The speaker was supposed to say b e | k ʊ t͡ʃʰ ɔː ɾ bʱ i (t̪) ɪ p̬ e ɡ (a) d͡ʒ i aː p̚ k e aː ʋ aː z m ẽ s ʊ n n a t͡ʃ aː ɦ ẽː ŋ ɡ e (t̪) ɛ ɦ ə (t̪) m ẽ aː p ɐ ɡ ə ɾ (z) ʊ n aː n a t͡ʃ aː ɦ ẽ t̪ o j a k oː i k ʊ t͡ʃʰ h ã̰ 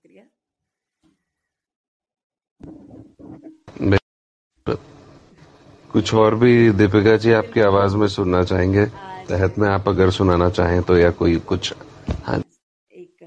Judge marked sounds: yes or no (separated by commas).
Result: no, yes, yes, yes, no